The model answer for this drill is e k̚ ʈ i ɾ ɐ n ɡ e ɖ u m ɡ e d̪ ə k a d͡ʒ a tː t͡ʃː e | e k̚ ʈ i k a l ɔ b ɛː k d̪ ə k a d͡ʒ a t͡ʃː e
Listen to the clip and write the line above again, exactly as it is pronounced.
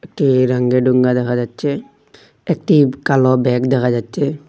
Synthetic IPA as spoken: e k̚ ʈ i ɾ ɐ ŋ ɡ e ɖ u ŋ ɡ a d̪ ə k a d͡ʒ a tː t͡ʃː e | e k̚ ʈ i k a l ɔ b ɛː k d̪ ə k a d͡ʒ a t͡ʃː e